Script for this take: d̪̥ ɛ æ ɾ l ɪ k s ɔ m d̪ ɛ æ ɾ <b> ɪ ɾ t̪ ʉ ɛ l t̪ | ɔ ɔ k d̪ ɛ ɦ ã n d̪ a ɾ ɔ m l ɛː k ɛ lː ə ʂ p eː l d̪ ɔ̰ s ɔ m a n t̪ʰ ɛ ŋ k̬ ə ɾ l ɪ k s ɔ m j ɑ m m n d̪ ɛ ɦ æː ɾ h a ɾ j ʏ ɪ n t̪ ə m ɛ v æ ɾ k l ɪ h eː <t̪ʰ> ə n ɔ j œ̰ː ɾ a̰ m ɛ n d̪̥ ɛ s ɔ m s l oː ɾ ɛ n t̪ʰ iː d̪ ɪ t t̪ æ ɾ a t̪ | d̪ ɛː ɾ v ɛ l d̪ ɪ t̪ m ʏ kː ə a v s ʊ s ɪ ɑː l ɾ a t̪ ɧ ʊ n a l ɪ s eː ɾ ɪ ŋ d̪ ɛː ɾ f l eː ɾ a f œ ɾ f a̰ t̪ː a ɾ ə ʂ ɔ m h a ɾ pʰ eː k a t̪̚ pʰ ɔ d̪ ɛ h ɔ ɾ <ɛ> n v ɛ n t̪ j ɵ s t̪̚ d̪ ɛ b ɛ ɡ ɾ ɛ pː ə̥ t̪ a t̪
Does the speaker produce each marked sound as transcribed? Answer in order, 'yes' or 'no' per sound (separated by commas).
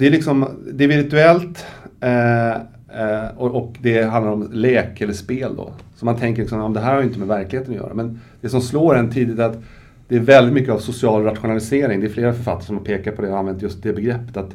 no, no, no